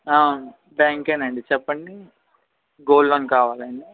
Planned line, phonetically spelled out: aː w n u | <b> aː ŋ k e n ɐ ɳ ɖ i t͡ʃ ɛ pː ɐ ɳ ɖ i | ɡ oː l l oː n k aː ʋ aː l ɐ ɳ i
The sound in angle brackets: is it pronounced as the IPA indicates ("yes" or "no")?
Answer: yes